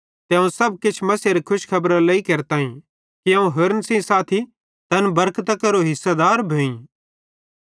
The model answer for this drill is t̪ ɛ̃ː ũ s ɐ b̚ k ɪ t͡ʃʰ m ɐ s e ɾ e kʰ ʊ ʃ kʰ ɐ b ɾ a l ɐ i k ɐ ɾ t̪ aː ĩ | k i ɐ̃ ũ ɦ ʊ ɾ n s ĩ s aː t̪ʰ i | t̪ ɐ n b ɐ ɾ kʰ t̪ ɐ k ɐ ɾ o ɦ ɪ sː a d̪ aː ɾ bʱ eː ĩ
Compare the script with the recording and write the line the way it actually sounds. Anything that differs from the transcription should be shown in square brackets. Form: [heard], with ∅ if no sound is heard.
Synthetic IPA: t̪ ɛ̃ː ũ s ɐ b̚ k ɪ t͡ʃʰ m ɐ s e ɾ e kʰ ʊ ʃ kʰ ɐ b ɾ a l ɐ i k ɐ ɾ t̪ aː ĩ | k i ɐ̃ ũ ɦ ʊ ɾ n s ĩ s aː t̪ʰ i | t̪ ɐ n b ɐ ɾ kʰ t̪ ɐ k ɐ ɾ o ɦ ɪ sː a d̪ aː ɾ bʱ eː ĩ

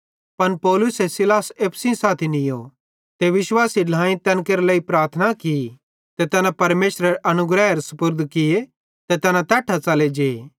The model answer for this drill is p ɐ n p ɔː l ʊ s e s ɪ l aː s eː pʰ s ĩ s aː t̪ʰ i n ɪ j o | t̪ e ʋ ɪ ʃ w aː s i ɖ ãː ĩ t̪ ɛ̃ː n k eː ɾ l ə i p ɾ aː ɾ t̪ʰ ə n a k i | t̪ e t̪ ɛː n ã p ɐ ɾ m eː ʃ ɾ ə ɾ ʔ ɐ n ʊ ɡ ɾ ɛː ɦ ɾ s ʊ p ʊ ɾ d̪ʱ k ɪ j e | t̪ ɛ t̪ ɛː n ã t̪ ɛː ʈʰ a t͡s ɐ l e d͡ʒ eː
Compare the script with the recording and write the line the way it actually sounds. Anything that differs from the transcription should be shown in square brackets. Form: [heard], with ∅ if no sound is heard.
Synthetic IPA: p ɐ n p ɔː l ʊ s e s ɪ l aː s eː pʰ s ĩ s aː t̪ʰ i n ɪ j o | t̪ e ʋ ɪ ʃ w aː s i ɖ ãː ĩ t̪ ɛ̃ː n k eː ɾ l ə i p ɾ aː ɾ t̪ʰ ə n a k i | t̪ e t̪ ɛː n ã p ɐ ɾ m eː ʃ ɾ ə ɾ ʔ ɐ n ʊ ɡ ɾ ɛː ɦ ɾ s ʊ p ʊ ɾ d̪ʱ k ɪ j e | t̪ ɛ t̪ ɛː n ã t̪ ɛː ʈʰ a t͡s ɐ l e d͡ʒ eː

